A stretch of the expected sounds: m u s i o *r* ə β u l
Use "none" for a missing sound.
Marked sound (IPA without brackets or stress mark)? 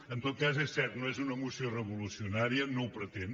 r